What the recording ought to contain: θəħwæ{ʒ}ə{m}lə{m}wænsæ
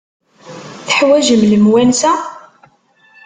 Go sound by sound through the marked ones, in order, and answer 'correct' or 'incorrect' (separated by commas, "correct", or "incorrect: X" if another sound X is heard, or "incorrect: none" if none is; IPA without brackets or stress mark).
correct, correct, correct